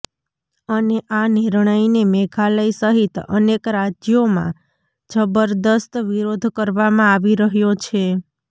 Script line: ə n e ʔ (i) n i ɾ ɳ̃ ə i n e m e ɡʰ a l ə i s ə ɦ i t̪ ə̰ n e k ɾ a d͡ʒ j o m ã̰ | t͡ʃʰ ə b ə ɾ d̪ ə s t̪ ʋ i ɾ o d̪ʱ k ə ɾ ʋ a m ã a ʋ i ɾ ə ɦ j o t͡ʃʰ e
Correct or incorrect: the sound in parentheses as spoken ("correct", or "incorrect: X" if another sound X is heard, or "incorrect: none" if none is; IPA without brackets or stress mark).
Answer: incorrect: a